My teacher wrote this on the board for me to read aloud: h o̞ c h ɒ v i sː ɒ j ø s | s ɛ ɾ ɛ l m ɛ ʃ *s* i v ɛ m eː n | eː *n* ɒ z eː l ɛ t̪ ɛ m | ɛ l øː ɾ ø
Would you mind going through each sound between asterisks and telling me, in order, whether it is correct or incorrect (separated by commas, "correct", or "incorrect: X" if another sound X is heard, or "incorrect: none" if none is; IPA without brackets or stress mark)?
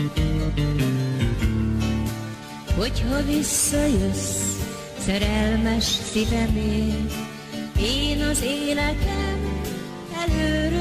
correct, correct